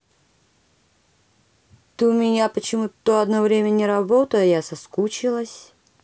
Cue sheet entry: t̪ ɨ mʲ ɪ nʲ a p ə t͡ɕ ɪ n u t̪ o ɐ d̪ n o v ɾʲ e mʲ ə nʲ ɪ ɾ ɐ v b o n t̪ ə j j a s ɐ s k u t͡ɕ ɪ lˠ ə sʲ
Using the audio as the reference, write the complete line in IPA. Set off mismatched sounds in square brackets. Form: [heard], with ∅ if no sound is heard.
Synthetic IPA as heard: t̪ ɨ mʲ ɪ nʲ a p ə t͡ɕ ɪ [m] u t̪ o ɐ d̪ n o v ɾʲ e mʲ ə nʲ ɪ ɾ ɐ [∅] b o [∅] t̪ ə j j a s ɐ s k u t͡ɕ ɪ lˠ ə sʲ